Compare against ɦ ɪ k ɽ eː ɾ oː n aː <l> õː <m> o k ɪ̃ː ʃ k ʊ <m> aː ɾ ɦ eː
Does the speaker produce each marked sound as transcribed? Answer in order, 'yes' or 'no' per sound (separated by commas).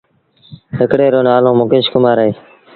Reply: yes, yes, yes